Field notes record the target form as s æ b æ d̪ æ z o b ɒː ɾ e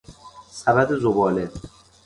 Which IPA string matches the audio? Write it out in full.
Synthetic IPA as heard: s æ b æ d̪ e z o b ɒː l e